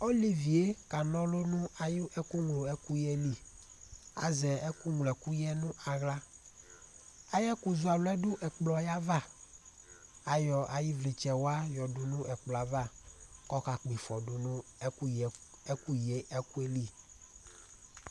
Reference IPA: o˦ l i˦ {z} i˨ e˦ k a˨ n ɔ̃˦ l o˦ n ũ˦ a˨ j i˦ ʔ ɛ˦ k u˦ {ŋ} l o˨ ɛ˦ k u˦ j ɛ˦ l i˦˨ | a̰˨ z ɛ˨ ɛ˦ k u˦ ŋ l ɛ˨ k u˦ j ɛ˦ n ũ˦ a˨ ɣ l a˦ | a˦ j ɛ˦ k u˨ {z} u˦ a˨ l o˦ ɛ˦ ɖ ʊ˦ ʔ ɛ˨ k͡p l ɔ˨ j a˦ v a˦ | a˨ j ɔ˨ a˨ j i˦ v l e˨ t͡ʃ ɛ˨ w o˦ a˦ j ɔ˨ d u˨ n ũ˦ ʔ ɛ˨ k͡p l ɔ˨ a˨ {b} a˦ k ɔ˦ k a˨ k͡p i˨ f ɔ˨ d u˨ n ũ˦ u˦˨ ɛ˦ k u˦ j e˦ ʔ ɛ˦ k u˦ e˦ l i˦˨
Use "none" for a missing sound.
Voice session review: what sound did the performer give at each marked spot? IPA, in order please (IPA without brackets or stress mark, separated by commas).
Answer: v, ŋ, z, v